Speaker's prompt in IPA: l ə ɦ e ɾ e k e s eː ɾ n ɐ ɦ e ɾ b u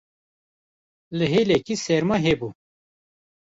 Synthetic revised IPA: l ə ɦ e l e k i s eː ɾ m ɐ ɦ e b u